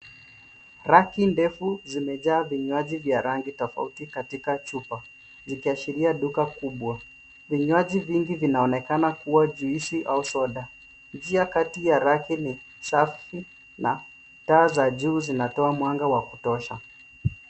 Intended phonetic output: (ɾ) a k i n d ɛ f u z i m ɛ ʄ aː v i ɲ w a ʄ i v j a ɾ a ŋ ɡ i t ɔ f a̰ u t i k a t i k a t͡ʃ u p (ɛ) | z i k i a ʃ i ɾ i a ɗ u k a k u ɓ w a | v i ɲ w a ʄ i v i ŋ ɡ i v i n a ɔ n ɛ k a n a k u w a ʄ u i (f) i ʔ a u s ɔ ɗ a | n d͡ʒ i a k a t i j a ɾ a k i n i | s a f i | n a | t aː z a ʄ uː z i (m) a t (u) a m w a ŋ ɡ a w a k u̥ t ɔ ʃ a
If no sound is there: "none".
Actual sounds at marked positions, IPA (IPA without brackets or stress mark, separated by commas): ɾ, a, ʃ, n, ɔ